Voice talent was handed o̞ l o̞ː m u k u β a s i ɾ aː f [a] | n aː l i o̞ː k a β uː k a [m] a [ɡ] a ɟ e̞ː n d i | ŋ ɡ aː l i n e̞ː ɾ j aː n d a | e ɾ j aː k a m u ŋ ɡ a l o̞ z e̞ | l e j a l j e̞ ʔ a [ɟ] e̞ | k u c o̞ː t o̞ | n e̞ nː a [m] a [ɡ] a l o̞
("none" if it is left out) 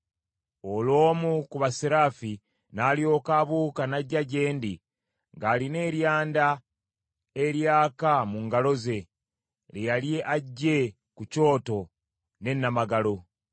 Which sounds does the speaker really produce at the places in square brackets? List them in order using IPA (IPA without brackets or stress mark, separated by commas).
i, n, ɟ, ɟː, m, ɡ